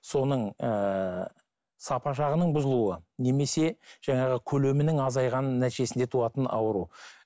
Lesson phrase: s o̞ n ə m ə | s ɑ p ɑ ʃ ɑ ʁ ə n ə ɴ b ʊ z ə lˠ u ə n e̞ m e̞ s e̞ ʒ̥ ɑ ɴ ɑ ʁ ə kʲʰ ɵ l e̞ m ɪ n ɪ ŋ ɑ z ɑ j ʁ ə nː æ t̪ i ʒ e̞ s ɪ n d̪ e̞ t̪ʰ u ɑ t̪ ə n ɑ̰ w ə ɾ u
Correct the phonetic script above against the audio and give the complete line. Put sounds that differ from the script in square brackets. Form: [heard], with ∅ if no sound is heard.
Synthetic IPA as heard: s o̞ n ə [ɴ] ə | s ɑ p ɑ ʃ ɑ ʁ ə n ə ɴ b ʊ z ə lˠ u ə n e̞ m e̞ s e̞ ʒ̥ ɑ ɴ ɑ ʁ ə kʲʰ ɵ l e̞ m ɪ n ɪ ŋ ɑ z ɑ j ʁ [ɑ] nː æ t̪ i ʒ e̞ s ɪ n d̪ e̞ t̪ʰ u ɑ t̪ ə n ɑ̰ w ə ɾ u